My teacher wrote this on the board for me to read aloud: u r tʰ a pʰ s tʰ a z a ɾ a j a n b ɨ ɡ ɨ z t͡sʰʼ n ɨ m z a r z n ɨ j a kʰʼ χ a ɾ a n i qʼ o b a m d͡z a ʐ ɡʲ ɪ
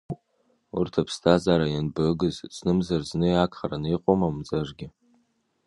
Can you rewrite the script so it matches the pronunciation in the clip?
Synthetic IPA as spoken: u r tʰ a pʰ s tʰ a z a ɾ a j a n b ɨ ɡ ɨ z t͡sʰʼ n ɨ m z a r z n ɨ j a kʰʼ χ a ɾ a n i qʼ o m a m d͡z a ʐ ɡʲ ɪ